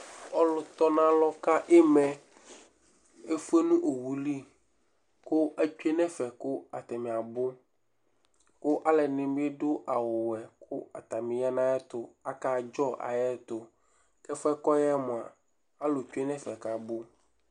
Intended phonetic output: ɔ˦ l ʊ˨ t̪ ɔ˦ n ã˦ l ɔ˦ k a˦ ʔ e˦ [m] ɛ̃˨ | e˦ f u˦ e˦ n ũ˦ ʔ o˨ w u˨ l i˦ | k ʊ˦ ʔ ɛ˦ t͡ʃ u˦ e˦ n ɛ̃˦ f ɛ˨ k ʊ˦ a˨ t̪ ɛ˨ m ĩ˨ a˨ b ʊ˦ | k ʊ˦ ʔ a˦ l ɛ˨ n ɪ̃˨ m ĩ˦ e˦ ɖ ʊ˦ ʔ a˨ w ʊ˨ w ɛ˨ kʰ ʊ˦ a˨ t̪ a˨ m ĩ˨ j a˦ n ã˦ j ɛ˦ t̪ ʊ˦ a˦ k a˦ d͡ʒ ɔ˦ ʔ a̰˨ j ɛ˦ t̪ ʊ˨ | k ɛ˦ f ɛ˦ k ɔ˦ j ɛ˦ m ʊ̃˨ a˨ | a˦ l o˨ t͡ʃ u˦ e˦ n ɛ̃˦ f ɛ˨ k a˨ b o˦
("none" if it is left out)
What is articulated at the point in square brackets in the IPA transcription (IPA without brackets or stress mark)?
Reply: m